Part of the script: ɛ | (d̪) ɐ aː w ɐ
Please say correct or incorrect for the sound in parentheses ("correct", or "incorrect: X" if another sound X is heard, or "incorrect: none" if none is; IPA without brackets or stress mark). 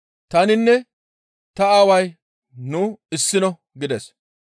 incorrect: t̪